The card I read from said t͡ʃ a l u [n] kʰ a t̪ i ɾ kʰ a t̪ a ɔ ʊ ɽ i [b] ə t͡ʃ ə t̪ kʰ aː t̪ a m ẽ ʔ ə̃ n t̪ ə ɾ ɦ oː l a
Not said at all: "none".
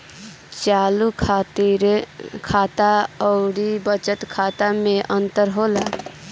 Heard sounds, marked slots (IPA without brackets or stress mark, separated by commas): none, b